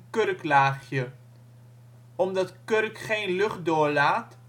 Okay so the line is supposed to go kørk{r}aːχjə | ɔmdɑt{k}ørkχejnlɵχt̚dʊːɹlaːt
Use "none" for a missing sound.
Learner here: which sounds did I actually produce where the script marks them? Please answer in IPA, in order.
l, k

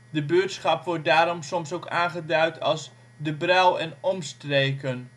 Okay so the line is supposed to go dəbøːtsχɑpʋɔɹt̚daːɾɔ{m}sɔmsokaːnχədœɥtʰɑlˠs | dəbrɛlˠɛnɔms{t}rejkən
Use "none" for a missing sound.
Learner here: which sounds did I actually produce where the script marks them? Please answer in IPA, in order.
m, t

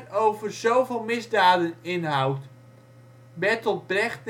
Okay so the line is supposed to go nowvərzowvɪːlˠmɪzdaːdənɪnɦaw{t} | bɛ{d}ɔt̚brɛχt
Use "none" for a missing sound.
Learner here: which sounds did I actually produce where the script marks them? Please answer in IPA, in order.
t, t

